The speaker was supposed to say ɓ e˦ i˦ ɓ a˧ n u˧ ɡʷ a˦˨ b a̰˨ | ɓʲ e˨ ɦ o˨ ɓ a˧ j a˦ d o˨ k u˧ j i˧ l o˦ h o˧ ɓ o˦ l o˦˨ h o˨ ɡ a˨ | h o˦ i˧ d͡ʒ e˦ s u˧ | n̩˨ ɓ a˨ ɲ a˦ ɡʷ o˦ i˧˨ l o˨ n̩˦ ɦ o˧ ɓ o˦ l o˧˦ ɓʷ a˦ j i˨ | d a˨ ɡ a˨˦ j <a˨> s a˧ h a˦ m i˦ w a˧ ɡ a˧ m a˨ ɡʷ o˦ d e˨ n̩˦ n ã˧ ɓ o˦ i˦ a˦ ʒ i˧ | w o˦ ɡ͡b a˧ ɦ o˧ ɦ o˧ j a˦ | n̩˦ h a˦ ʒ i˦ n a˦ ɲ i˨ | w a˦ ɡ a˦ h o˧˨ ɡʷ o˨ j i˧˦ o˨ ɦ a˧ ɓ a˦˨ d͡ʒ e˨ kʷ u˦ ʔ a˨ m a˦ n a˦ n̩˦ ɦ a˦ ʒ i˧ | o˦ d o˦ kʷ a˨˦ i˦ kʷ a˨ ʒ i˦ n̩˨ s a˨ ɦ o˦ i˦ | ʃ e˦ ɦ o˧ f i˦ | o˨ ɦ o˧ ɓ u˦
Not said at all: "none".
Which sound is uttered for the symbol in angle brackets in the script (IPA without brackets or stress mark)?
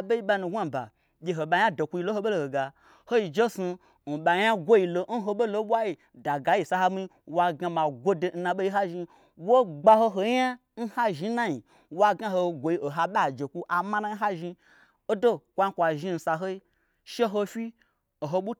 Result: i˨